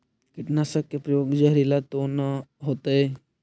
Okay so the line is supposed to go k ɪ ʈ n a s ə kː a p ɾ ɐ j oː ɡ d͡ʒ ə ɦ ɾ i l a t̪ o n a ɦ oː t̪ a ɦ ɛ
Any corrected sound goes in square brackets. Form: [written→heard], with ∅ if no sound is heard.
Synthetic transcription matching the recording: k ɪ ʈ n a s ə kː [a→e] p ɾ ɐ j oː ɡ d͡ʒ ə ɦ ɾ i l a t̪ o n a ɦ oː t̪ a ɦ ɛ